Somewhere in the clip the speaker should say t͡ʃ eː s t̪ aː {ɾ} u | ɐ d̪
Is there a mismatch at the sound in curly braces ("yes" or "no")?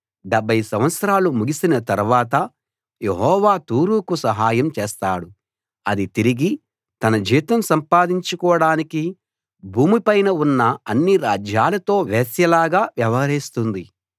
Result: yes